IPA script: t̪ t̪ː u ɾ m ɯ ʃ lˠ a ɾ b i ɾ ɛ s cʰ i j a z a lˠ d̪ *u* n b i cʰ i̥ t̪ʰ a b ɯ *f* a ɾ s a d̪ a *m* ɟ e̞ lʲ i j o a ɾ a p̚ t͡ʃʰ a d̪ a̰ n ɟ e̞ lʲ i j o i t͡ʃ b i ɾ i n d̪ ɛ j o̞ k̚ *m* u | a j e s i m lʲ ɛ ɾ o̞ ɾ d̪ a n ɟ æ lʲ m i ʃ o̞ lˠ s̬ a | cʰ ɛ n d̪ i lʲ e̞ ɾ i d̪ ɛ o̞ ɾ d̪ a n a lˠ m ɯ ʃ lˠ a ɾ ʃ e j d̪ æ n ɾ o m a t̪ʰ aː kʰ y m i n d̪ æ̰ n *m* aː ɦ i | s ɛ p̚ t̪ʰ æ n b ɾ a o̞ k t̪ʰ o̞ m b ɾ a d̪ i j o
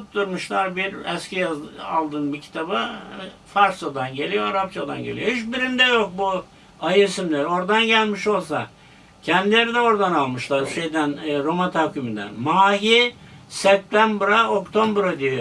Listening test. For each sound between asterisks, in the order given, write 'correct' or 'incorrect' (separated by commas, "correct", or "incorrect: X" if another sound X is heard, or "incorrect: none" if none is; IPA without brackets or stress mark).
incorrect: ɯ, correct, incorrect: n, incorrect: b, correct